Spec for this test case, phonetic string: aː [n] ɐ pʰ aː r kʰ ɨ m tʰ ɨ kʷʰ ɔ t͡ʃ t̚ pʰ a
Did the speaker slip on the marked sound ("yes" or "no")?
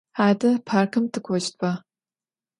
yes